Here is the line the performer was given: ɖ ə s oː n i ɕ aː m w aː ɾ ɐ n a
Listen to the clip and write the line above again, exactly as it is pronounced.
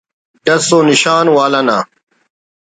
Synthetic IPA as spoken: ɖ ɐ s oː n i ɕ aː n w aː l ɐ n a

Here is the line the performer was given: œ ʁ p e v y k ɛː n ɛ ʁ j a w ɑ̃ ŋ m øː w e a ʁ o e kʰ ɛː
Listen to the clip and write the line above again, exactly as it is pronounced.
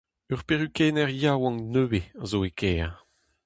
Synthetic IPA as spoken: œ ʁ p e ʁ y k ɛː n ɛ ʁ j a w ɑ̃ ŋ n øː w e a z o e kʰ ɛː

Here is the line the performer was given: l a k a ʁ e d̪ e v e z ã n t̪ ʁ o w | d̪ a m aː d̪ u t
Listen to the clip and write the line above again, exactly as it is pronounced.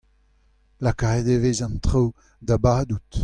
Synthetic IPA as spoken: l a k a ʁ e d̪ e v e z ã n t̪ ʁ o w | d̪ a b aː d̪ u t

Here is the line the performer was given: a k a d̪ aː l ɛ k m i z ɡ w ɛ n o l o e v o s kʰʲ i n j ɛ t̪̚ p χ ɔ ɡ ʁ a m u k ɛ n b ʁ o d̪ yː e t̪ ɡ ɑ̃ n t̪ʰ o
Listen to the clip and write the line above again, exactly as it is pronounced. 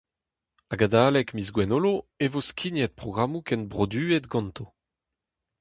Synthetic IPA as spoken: a ɡ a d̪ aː l ɛ k m i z ɡ w ɛ n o l o e v o s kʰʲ i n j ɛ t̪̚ p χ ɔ ɡ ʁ a m u k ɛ n b ʁ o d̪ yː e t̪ ɡ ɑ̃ n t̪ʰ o

